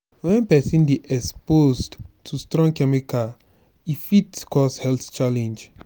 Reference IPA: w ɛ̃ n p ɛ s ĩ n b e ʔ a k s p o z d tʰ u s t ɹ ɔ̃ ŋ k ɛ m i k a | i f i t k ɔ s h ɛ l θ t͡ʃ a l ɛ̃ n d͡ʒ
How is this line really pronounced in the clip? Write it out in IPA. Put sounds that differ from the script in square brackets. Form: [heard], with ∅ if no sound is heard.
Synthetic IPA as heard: w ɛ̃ n p ɛ s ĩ n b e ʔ [ɛ] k s p o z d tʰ u s t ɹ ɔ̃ ŋ k ɛ m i k a | i f i t k ɔ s h ɛ l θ t͡ʃ a l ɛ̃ n d͡ʒ